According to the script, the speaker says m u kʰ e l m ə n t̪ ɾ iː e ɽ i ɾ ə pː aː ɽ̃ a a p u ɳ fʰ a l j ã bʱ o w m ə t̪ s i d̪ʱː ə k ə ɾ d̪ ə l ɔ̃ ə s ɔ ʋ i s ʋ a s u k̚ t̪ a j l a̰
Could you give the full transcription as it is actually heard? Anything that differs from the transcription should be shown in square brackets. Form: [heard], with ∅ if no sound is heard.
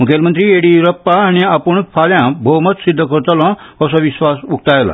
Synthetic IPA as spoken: m u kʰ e l m ə n t̪ ɾ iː e ɽ i ɾ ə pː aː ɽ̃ [i] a p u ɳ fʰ a l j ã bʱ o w m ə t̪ s i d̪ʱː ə k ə ɾ [t̪] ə l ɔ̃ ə s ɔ ʋ i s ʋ a s u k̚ t̪ a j l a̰